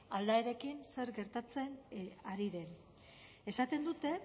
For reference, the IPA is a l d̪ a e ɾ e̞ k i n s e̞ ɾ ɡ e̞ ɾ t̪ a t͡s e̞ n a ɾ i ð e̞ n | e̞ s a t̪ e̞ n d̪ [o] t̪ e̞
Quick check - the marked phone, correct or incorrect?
incorrect